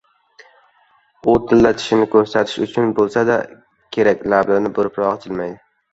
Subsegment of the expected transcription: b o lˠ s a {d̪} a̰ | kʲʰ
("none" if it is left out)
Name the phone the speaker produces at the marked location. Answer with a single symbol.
d̪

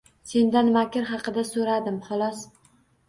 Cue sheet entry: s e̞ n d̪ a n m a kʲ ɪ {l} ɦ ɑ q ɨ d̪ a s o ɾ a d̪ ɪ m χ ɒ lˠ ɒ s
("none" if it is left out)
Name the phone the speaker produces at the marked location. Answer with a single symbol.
ɾ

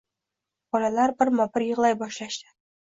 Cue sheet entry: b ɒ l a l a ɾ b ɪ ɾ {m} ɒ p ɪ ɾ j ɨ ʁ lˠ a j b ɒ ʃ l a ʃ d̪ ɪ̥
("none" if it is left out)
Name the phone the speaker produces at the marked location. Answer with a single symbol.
m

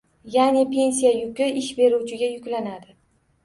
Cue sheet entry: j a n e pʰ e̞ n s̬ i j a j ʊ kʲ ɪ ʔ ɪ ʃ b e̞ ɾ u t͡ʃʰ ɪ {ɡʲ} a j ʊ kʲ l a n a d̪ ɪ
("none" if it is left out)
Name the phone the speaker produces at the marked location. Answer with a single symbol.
ɡʲ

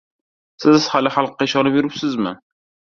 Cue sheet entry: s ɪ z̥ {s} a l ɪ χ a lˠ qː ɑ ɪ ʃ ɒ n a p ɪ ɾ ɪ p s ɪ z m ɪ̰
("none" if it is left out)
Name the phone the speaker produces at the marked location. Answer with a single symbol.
h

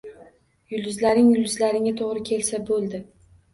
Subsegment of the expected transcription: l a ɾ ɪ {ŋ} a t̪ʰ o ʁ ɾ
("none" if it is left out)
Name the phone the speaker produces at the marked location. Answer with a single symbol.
ŋ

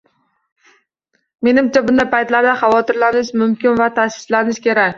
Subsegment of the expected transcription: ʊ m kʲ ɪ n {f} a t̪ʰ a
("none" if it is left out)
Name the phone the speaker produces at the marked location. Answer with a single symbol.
v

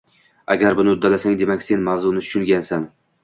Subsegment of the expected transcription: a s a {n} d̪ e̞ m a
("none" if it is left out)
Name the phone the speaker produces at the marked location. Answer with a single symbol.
ŋ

